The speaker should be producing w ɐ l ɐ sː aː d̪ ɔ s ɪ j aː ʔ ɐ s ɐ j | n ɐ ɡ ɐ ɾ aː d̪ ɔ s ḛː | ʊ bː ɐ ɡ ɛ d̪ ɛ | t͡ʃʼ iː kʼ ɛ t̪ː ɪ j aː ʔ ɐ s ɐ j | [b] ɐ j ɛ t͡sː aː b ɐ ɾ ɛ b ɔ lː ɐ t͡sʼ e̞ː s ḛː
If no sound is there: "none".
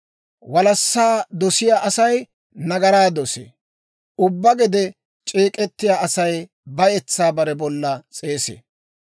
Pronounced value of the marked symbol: b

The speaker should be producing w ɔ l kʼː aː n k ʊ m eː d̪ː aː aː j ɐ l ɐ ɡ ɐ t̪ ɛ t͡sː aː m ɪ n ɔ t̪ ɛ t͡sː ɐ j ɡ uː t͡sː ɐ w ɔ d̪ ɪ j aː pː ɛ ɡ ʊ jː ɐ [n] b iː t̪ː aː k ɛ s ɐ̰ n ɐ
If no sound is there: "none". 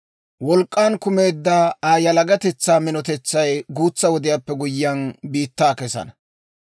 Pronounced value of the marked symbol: n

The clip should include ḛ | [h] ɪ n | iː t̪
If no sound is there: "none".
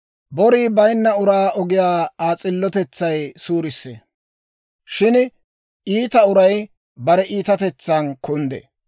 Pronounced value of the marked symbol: ʃ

